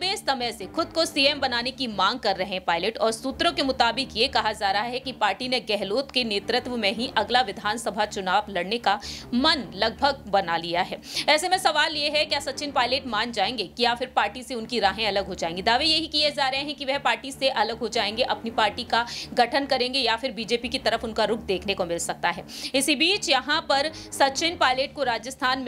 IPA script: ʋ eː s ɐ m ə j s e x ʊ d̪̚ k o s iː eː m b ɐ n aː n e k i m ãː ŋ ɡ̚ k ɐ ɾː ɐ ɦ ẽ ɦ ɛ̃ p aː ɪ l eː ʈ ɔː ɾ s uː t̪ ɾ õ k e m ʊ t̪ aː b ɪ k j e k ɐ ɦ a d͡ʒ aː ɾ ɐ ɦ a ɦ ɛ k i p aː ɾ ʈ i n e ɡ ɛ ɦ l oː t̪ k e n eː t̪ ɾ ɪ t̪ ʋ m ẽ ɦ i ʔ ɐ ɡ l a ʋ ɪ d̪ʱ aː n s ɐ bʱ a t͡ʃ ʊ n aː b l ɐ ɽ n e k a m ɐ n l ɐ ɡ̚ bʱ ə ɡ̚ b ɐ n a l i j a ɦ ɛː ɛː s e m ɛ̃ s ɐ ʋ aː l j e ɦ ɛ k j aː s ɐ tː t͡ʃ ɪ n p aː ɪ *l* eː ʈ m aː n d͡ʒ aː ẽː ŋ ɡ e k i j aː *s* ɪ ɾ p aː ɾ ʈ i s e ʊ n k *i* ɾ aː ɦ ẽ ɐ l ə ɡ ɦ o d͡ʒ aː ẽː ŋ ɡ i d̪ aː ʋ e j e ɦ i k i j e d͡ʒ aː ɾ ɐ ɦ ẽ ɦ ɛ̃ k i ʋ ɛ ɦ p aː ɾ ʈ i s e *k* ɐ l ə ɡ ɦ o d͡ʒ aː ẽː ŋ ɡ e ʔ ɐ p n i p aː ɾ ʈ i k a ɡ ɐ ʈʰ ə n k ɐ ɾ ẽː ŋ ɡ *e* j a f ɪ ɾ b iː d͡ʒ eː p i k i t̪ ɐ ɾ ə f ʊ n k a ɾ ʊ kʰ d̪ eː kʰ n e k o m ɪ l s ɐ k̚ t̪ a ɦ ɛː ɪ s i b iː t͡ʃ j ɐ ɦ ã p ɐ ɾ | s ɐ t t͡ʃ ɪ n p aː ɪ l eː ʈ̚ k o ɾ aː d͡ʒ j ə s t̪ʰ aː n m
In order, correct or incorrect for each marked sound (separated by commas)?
correct, incorrect, correct, incorrect, correct